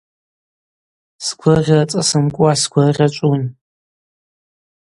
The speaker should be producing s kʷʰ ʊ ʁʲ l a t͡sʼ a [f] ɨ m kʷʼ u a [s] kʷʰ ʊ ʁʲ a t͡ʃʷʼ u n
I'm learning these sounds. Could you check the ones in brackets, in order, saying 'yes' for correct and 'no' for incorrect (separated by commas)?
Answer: no, yes